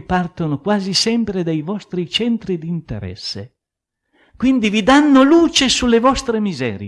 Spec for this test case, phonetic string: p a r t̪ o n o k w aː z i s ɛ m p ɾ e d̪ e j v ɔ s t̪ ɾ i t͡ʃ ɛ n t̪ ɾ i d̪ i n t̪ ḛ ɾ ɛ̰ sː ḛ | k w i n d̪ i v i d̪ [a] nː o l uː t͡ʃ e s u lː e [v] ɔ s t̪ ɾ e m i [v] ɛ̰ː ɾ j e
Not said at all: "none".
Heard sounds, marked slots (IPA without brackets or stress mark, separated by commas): a, v, z